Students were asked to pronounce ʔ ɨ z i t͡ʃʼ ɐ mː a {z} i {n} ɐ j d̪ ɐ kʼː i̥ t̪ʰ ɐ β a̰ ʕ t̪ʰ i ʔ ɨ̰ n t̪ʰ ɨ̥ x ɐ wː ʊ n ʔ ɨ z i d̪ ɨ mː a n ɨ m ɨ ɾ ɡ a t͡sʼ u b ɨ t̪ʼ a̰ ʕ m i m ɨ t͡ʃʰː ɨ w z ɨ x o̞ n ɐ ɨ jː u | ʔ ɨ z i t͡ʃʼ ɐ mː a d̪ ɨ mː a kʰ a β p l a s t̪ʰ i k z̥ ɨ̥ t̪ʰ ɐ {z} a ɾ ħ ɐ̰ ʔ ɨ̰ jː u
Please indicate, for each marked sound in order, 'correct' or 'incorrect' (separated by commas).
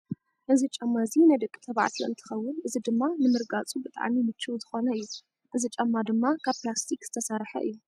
correct, correct, incorrect